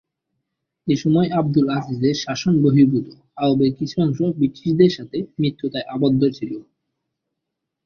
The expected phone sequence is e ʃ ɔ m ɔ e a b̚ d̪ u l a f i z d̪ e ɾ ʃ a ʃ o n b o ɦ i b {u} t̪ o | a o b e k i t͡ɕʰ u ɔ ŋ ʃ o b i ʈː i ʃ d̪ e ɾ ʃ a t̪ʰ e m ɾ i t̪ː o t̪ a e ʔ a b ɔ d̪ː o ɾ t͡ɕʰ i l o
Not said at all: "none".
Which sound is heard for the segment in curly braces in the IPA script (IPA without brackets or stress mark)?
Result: u